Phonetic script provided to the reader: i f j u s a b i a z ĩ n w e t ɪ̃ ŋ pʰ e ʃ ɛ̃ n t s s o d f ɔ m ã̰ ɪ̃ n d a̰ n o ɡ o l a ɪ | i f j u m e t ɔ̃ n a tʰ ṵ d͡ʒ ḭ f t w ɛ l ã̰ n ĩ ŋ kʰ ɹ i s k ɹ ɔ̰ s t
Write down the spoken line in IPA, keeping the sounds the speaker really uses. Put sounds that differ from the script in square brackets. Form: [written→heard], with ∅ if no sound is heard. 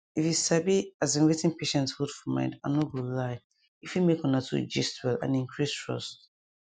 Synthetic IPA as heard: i f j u s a b i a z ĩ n w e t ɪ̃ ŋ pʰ e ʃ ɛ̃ n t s [s→h] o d f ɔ m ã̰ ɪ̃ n d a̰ n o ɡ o l a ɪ | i f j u m e [t→k] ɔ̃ n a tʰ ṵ d͡ʒ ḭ [f→s] t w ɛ l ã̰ n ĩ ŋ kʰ ɹ i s [k→t] ɹ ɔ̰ s t